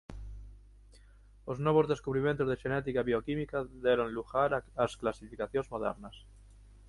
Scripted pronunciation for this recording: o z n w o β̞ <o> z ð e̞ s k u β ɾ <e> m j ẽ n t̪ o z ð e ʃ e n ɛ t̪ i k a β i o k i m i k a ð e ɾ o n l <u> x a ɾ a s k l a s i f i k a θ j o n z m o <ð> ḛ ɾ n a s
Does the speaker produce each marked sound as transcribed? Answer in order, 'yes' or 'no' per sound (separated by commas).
yes, no, yes, yes